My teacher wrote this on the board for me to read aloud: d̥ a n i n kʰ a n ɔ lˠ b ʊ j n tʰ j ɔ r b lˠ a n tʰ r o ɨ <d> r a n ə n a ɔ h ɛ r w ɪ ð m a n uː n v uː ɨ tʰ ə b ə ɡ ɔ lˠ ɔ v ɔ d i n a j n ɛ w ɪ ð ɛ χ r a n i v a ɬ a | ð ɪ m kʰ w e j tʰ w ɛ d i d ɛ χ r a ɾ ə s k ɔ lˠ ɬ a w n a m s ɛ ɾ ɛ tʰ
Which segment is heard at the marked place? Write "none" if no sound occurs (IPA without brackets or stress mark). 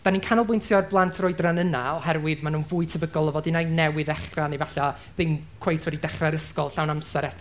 d